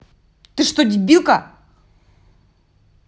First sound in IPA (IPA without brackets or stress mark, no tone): t̪